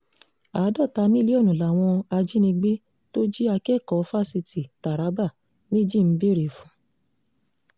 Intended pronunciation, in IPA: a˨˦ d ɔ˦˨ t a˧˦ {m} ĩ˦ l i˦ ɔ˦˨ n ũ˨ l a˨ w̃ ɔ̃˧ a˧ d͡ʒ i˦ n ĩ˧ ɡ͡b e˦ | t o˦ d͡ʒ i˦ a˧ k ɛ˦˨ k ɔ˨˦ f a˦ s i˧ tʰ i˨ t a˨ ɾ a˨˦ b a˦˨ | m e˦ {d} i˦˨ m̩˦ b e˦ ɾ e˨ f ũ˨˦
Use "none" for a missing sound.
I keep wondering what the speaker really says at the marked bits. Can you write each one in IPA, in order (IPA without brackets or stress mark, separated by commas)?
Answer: m, d͡ʒ